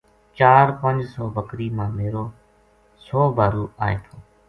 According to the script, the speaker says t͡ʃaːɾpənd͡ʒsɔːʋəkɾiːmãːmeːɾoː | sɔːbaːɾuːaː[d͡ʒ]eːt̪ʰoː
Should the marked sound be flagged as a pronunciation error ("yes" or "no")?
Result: yes